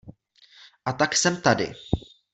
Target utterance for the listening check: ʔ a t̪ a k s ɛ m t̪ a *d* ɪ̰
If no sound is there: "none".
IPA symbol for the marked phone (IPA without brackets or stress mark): d